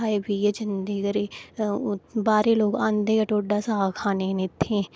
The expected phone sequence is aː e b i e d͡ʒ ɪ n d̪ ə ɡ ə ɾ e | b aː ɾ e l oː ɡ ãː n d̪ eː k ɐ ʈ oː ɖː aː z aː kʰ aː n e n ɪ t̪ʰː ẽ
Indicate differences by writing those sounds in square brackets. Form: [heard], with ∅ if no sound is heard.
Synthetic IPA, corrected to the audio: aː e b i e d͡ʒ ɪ n d̪ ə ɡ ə ɾ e | b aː ɾ e l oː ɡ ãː n d̪ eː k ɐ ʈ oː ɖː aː [s] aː kʰ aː n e n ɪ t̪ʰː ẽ